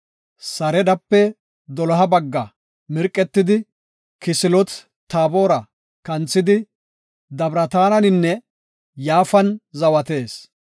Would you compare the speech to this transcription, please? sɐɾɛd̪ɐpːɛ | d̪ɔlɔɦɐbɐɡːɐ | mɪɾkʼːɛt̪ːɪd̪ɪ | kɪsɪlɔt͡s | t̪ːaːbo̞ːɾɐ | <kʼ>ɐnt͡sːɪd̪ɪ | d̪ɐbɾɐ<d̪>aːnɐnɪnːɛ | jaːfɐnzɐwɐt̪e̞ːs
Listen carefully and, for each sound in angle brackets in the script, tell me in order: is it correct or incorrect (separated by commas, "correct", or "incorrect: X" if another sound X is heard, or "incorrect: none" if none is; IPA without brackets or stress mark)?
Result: incorrect: k, incorrect: t̪